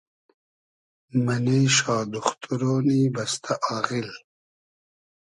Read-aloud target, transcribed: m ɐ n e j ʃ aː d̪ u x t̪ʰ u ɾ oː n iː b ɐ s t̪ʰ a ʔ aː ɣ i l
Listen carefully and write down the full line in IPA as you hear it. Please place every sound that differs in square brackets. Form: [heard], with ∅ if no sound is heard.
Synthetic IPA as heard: m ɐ n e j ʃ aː d̪ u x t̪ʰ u ɾ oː n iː b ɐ s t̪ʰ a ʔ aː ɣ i l